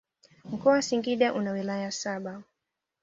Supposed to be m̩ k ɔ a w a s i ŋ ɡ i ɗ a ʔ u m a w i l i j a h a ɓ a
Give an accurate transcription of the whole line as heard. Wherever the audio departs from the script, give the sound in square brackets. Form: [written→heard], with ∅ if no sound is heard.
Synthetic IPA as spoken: m̩ k ɔ a w a s i ŋ ɡ i ɗ a ʔ u [m→n] a w i l [i→a] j a [h→s] a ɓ a